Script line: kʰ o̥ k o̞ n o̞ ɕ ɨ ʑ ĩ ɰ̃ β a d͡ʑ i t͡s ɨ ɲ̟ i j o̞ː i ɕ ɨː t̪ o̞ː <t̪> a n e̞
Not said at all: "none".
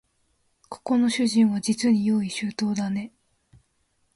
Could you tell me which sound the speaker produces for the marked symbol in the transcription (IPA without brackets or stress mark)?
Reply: d̪